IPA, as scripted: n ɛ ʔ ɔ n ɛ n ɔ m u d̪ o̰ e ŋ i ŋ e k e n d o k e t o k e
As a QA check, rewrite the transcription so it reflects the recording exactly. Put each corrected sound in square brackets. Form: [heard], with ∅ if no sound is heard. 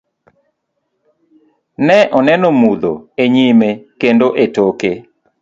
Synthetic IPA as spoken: n ɛ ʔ ɔ n ɛ n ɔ m u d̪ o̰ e [ɲ] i [m] e k e n d o [ʔ] e t o k e

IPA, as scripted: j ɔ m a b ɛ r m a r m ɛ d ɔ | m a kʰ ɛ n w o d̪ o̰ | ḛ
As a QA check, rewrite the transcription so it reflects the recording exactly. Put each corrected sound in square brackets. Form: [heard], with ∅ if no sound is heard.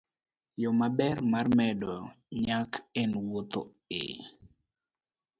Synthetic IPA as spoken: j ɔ m a b ɛ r m a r m ɛ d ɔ | [ɲ] a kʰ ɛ n w o [t̪] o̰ | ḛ

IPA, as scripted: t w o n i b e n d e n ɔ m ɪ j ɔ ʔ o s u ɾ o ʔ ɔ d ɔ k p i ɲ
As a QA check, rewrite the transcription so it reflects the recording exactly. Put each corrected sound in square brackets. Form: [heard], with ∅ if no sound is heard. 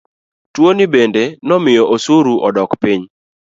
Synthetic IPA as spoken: t w o n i b e n d e n ɔ m ɪ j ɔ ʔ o s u ɾ [u] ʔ ɔ d ɔ k p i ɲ

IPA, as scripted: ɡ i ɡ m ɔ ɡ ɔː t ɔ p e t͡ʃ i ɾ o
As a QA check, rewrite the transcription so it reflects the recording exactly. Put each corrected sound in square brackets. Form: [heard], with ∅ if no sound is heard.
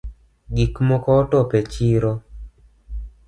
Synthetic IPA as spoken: ɡ i [k] m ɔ [k] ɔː t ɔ p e t͡ʃ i ɾ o

